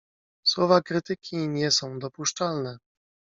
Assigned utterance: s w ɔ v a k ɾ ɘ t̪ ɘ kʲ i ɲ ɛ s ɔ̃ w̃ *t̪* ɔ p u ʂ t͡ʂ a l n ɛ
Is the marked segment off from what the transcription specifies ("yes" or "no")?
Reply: yes